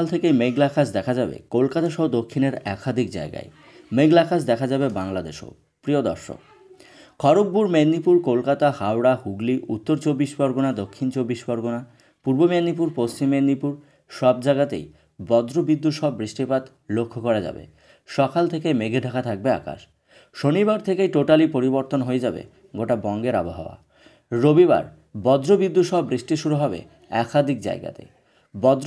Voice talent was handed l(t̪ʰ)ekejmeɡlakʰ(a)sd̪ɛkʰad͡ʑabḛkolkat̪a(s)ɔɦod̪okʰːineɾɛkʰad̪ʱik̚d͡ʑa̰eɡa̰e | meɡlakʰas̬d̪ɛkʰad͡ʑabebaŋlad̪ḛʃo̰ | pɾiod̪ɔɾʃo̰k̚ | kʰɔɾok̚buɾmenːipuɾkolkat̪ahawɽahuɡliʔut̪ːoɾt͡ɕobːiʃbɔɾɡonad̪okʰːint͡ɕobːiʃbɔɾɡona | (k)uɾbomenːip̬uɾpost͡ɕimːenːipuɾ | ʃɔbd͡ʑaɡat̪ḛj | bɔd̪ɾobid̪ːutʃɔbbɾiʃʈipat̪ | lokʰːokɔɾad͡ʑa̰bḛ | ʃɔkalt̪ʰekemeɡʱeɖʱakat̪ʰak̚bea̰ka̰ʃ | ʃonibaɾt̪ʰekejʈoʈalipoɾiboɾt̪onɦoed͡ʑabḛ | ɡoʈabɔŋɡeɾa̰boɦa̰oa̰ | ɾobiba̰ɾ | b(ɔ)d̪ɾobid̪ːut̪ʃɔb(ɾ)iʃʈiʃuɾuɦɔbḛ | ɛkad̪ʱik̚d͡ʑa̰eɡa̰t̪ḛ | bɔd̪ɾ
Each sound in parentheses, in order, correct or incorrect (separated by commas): correct, correct, incorrect, incorrect, correct, correct